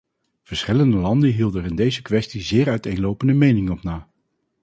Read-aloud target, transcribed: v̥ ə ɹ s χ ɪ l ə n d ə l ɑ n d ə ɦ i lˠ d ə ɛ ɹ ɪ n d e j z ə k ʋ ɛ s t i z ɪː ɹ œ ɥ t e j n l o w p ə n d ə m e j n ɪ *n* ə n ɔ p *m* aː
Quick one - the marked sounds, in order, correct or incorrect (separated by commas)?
incorrect, incorrect